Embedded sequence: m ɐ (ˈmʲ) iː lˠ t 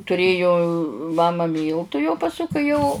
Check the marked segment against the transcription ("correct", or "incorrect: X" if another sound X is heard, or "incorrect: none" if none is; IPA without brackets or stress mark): correct